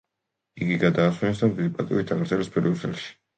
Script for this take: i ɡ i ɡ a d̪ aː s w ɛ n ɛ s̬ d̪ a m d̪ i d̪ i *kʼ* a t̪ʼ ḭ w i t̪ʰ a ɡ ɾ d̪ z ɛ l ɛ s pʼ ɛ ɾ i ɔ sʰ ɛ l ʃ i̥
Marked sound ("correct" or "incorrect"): incorrect